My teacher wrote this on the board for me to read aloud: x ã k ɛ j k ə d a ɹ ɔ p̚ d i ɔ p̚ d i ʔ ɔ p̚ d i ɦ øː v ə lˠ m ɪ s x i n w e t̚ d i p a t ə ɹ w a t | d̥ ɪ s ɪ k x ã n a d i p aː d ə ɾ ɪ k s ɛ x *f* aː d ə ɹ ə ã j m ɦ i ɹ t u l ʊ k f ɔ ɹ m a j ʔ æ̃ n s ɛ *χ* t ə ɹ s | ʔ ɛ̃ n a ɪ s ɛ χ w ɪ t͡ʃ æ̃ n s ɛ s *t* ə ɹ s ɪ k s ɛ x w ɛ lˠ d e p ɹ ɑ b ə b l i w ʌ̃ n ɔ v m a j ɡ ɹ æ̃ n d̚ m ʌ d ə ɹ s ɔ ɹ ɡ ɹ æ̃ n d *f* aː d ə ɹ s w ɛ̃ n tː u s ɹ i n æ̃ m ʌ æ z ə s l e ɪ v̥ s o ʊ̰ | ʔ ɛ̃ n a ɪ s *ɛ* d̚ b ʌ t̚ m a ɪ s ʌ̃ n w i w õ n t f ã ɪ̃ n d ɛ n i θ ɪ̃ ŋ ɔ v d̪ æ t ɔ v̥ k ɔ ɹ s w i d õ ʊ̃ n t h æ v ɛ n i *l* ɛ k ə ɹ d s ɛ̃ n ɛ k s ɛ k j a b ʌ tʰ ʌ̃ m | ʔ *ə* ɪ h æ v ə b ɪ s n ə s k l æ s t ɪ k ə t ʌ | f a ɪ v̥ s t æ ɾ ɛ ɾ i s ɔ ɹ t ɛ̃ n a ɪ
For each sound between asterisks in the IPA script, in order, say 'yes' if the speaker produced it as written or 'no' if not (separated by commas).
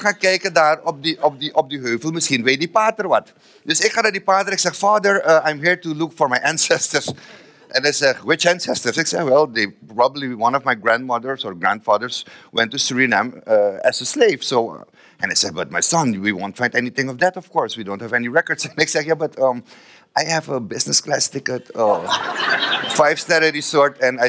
yes, no, yes, yes, yes, no, no